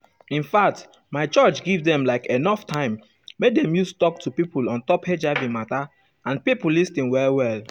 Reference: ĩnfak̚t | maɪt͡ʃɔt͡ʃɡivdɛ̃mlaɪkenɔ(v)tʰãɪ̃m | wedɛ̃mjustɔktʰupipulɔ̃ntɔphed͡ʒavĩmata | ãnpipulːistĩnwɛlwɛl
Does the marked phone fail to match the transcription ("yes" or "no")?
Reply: yes